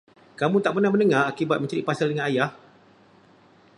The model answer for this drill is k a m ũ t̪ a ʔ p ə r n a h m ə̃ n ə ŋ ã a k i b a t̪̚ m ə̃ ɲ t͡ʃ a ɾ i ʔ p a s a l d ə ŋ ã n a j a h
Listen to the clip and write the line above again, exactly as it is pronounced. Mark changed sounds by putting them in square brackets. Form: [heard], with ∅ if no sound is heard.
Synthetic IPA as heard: k a m ũ t̪ a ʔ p ə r n a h m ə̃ n ə ŋ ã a k i b a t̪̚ m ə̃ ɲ t͡ʃ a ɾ i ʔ p a s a l d ə ŋ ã n a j a h